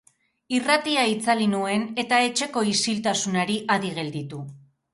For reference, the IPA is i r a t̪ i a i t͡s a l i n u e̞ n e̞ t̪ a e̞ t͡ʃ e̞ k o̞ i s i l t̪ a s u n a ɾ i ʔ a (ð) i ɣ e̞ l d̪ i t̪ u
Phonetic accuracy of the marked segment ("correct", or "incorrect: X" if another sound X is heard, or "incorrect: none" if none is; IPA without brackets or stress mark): correct